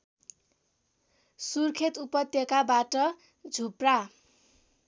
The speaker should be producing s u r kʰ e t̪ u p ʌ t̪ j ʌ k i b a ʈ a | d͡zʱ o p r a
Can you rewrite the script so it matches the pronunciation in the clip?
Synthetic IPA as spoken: s u r kʰ e t̪ u p ʌ t̪ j ʌ k a b a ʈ ʌ | d͡zʱ u p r a